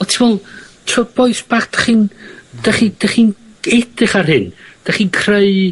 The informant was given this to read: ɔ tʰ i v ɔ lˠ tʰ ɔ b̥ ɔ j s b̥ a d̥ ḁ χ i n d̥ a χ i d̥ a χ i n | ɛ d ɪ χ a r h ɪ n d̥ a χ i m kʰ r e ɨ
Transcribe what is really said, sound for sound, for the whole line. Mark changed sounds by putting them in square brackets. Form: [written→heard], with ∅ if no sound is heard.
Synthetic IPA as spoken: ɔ tʰ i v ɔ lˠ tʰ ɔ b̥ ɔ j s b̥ a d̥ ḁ χ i n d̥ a χ i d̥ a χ i n | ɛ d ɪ χ a r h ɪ n d̥ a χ i [m→n] kʰ r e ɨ